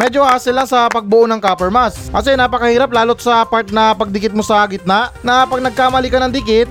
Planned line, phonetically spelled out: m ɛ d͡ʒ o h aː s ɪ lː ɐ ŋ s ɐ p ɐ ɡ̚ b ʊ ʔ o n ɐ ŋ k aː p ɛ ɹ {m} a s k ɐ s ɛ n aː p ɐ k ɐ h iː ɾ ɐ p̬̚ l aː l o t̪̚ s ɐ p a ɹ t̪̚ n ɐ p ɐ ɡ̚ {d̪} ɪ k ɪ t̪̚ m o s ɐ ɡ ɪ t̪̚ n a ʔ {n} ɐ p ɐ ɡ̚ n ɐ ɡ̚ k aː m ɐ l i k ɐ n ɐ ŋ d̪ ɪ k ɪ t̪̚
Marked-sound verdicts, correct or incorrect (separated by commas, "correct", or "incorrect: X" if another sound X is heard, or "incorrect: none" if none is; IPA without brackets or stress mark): correct, correct, correct